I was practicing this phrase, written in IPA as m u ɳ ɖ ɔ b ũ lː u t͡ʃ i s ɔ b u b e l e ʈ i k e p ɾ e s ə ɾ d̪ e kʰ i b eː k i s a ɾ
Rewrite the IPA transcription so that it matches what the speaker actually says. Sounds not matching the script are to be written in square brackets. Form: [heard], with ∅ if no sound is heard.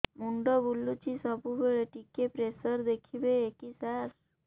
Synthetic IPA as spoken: m u ɳ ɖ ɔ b [u] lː u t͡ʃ i s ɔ b u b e [ɭ] e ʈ i k e p ɾ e s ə ɾ d̪ e kʰ i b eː k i s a ɾ